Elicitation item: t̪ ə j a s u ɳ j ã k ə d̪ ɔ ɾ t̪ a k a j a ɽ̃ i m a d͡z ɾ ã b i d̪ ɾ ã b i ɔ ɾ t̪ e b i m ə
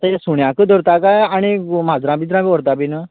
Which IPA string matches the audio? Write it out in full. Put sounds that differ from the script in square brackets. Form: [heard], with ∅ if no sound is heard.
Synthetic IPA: t̪ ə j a s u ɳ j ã k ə d̪ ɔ ɾ t̪ a k a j a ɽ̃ i m a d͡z ɾ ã b i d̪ ɾ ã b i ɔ ɾ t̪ [a] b i [n] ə